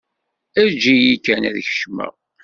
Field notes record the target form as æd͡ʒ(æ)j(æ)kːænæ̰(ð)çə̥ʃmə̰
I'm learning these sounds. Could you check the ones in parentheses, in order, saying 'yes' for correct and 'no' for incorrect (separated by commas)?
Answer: no, no, yes